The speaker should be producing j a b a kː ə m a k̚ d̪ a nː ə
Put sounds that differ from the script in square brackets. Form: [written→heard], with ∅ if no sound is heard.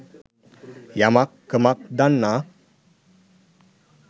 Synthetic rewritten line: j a [b→m] a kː ə m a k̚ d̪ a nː [ə→a]